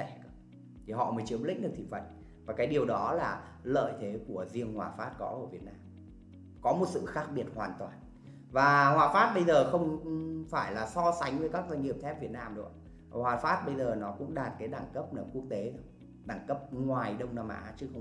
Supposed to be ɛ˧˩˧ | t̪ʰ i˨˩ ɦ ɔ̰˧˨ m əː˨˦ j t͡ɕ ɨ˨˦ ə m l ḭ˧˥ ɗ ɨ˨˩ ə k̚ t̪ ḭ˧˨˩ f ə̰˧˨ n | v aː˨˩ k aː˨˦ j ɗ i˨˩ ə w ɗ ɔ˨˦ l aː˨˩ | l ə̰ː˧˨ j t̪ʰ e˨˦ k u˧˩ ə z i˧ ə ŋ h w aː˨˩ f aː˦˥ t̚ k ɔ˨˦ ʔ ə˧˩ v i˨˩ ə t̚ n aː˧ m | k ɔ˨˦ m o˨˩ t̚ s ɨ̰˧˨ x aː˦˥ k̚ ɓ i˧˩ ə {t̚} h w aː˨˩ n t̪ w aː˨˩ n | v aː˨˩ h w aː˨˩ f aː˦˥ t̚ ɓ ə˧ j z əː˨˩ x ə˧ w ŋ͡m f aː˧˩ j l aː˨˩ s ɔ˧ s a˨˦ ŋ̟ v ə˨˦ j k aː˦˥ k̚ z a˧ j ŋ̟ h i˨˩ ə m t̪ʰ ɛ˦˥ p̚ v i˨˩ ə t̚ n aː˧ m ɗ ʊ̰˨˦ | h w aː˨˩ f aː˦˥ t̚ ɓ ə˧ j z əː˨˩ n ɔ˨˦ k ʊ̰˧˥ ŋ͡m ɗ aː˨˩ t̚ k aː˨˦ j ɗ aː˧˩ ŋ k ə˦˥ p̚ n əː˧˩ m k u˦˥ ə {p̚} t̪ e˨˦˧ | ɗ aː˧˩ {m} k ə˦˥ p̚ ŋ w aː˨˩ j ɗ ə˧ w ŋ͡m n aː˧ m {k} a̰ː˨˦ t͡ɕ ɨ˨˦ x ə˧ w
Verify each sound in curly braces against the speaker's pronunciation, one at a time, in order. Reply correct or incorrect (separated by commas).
correct, incorrect, incorrect, incorrect